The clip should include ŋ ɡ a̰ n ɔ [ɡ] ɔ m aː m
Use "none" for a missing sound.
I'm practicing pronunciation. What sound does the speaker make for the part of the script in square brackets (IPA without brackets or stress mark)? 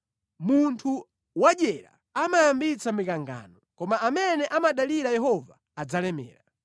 k